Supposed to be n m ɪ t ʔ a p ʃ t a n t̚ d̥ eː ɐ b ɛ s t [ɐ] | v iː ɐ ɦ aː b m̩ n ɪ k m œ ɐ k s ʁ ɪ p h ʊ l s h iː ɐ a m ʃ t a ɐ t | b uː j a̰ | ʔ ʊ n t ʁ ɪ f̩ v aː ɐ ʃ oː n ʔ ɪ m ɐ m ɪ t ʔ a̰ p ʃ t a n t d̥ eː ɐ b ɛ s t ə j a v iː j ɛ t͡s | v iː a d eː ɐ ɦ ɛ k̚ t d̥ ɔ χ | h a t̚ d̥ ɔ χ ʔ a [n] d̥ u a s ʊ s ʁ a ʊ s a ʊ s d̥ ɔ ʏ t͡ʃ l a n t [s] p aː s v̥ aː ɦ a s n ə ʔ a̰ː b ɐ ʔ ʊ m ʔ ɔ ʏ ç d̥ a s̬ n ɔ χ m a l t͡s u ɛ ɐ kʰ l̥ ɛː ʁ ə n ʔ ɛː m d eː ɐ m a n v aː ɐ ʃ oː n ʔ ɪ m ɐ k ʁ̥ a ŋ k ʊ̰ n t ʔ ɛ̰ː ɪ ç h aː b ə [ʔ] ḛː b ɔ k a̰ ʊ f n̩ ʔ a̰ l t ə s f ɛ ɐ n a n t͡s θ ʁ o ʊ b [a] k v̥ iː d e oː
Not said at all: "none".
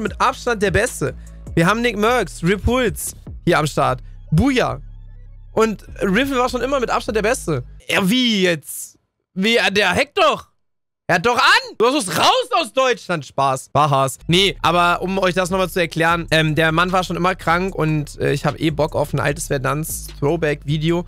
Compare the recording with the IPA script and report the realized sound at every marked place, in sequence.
ə, n, ʃ, ʔ, ɛ

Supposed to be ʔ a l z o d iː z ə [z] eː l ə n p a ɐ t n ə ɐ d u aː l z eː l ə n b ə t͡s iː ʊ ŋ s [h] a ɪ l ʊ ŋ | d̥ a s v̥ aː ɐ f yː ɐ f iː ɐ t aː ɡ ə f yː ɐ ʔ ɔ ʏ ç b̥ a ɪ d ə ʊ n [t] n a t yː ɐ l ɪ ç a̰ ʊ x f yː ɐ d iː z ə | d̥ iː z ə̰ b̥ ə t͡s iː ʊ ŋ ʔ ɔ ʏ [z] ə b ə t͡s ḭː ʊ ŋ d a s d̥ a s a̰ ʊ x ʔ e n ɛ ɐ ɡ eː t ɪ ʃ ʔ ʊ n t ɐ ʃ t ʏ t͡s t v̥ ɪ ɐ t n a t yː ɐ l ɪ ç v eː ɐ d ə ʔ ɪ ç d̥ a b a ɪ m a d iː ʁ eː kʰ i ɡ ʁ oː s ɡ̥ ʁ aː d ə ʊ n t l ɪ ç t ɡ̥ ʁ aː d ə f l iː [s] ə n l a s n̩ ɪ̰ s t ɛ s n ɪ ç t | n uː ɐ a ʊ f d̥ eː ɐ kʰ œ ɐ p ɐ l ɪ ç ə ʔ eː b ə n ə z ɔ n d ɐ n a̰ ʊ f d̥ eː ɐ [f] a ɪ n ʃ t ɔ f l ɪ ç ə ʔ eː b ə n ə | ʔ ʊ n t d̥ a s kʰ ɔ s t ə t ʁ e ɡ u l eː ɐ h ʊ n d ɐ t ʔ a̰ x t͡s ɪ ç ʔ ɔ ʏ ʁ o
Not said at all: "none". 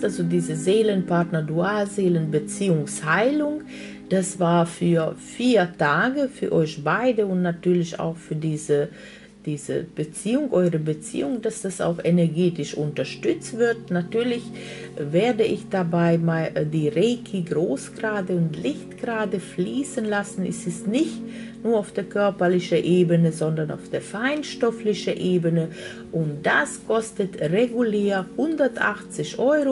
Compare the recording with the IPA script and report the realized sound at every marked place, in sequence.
z, h, t, ʁ, s, f

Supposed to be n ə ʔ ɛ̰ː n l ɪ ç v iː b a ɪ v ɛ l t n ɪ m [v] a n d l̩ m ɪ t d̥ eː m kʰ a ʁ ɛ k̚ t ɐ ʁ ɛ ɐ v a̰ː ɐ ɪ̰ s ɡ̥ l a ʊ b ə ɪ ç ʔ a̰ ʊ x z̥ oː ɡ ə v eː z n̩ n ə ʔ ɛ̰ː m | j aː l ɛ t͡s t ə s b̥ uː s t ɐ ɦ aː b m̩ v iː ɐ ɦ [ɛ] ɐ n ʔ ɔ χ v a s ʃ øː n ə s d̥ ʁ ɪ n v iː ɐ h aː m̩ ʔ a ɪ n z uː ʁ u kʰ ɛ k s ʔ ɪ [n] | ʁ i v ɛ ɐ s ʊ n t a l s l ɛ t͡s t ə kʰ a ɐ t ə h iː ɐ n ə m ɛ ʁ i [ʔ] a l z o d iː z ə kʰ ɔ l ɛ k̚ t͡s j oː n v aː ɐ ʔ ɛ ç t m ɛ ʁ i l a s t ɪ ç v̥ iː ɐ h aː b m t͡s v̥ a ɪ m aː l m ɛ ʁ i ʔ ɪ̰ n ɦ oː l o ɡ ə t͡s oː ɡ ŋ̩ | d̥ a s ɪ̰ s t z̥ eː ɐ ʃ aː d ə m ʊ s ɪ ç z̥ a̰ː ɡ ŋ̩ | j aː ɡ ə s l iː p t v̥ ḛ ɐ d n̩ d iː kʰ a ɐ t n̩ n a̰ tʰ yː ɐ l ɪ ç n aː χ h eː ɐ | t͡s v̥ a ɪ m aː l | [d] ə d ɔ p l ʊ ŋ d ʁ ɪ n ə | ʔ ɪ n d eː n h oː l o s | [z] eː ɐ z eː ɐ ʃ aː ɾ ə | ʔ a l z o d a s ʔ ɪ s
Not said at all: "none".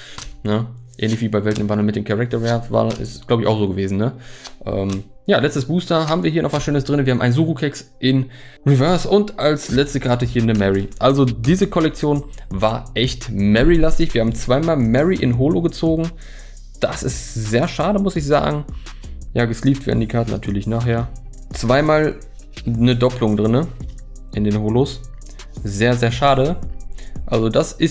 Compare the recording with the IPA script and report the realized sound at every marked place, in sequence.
v, i, n, ʔ, n, z

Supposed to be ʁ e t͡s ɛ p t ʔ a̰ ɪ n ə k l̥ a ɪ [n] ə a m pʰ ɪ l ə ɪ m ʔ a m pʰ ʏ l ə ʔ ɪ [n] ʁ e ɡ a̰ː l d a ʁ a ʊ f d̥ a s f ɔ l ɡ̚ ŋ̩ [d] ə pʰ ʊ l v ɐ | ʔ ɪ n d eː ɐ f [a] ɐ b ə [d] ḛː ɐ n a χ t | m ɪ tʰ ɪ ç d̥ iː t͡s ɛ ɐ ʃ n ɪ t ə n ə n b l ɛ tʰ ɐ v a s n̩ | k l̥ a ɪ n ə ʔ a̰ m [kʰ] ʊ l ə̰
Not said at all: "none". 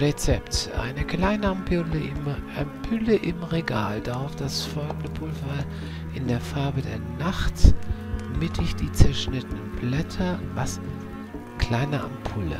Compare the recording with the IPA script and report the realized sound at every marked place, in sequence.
n, m, d, a, d, pʰ

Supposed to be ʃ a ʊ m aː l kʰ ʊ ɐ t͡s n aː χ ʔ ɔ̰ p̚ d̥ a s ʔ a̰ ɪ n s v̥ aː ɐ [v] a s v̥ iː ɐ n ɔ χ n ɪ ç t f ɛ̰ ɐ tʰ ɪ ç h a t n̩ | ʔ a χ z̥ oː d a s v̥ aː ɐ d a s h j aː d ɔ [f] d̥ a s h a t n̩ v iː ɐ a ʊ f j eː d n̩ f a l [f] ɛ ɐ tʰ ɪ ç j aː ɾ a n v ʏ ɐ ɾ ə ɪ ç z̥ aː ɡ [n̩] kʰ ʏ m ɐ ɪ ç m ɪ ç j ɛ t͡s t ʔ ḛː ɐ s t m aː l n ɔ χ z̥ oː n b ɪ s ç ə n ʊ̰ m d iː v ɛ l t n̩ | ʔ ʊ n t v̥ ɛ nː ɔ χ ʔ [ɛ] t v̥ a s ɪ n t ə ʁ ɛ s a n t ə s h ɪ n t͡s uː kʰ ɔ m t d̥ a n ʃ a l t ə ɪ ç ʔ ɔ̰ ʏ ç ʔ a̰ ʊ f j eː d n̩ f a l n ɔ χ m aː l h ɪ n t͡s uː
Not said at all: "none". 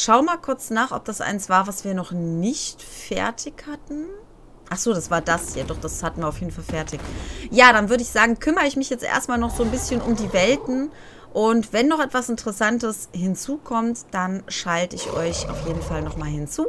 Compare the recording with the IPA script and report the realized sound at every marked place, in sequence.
v, χ, f, ŋ̩, ɛ

